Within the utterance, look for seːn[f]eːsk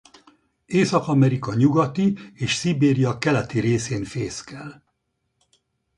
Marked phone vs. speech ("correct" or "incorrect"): correct